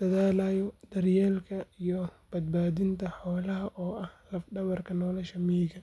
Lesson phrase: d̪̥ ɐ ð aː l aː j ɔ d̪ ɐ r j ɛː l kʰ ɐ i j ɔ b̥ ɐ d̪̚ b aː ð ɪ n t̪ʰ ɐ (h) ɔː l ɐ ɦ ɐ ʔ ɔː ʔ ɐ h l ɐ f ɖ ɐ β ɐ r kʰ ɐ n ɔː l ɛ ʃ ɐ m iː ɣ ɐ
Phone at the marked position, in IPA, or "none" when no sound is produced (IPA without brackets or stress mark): ħ